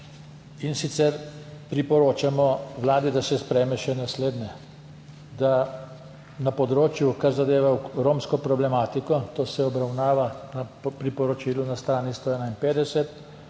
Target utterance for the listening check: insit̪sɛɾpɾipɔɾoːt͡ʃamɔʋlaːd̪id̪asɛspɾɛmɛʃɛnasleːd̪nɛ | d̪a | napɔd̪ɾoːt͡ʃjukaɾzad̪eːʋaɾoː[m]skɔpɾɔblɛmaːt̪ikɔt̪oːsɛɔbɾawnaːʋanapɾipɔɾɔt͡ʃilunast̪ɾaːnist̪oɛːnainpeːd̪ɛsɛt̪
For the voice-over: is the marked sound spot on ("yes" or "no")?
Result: yes